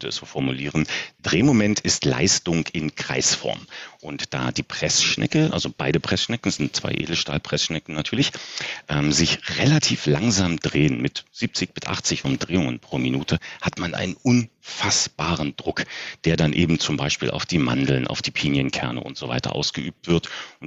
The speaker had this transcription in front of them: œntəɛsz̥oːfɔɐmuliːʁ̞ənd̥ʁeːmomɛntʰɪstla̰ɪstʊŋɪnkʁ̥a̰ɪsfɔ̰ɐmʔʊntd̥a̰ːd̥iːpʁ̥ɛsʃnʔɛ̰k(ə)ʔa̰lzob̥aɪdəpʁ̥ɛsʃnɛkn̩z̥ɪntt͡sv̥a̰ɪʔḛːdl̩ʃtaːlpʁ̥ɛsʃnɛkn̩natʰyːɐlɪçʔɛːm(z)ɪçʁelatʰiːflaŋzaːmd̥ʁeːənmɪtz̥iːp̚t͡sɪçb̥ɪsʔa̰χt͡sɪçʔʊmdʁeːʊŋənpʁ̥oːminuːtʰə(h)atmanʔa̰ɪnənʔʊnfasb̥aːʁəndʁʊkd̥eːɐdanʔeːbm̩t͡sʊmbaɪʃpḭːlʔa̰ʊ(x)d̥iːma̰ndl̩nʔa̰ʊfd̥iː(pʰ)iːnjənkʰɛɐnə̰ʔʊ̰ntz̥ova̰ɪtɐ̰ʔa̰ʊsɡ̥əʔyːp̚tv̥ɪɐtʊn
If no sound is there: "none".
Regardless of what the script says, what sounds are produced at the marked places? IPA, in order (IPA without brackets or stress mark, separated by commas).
ə, z, h, f, pʰ